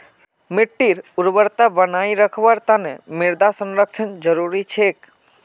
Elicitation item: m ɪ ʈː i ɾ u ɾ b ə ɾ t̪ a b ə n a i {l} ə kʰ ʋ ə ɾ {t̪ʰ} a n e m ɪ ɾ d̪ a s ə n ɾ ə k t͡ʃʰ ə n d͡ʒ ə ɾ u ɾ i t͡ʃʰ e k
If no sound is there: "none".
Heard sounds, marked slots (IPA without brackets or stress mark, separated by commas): ɾ, t̪